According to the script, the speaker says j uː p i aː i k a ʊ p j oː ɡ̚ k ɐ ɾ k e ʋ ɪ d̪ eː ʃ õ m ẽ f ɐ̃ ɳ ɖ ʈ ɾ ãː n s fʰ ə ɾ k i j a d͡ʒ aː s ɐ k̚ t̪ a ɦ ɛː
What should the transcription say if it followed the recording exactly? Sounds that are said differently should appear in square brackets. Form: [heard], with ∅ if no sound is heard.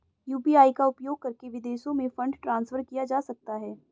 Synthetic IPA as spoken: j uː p i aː i k a ʊ p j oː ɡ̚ k ɐ ɾ k e ʋ ɪ d̪ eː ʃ õ m ẽ f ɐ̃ ɳ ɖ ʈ ɾ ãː n s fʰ ə ɾ k i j a d͡ʒ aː s ɐ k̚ t̪ a ɦ ɛː